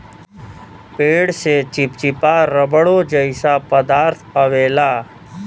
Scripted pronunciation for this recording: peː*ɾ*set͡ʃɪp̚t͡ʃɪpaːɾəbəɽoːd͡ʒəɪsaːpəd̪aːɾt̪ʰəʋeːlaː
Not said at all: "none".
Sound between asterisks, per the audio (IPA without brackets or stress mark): ɽ